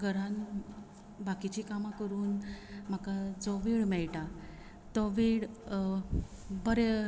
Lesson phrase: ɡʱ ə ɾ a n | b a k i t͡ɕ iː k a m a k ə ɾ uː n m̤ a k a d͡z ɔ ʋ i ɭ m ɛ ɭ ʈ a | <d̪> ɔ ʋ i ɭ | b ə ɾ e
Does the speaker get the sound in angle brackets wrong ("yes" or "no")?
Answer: yes